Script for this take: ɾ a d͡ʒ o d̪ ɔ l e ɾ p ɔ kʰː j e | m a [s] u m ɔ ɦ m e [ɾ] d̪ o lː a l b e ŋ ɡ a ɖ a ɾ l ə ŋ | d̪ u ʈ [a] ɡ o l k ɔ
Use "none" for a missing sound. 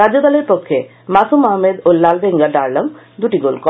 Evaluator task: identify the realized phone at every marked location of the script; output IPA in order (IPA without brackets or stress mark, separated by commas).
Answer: s, none, i